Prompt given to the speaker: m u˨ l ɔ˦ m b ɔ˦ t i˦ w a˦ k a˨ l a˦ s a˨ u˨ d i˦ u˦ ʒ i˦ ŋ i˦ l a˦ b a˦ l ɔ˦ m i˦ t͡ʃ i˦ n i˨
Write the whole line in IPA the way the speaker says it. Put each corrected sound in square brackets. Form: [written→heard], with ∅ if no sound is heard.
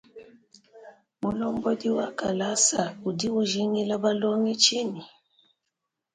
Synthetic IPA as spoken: m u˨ l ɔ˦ m b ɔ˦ [t→d] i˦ w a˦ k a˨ l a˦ s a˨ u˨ d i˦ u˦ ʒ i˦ ŋ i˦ l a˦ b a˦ l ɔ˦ [m→ŋ] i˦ t͡ʃ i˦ n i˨